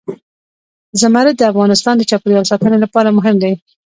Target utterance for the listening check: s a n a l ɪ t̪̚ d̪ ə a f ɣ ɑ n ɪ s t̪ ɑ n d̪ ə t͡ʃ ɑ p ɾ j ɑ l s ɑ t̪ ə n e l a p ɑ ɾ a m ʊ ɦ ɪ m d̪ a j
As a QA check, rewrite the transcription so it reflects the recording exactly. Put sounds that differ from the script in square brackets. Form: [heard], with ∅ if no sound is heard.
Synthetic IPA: [z] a [m] a [ɾ] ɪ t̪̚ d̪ ə a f ɣ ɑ n ɪ s t̪ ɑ n d̪ ə t͡ʃ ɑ p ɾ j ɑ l s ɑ t̪ ə n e l a p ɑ ɾ a m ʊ ɦ ɪ m d̪ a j